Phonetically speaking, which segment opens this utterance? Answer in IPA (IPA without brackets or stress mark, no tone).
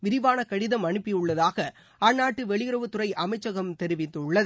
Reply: ʋ